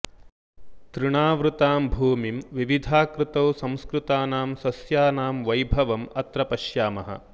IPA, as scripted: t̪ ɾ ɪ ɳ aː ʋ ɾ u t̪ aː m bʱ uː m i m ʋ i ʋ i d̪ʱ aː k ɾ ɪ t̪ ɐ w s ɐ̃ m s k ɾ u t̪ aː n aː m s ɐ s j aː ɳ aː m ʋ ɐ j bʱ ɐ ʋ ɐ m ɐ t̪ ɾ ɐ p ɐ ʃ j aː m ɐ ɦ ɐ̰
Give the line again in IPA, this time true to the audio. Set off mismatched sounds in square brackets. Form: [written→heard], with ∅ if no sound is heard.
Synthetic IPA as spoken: t̪ ɾ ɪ ɳ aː ʋ ɾ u t̪ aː m bʱ uː m i m ʋ i ʋ i d̪ʱ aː k ɾ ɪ t̪ ɐ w s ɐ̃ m s k ɾ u t̪ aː n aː m s ɐ s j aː [ɳ→n] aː m ʋ ɐ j bʱ ɐ ʋ ɐ m ɐ t̪ ɾ ɐ p ɐ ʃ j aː m ɐ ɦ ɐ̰